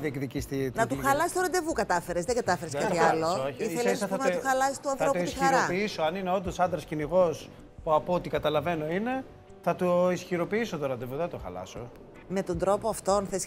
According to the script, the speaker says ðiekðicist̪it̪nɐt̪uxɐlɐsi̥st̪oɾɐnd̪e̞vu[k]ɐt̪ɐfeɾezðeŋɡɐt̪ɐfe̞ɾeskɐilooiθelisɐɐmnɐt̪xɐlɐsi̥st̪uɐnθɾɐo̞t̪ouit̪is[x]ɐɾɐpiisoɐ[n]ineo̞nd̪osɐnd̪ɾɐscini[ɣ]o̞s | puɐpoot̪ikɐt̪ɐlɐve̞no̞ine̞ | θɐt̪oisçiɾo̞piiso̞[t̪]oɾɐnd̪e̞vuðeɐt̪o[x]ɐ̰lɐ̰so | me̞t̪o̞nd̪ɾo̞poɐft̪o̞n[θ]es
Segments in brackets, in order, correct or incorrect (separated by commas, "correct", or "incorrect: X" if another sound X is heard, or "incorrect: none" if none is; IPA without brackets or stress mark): correct, correct, correct, correct, correct, correct, correct